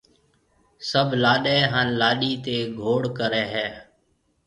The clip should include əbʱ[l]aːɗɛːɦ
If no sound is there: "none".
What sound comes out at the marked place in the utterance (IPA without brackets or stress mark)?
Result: l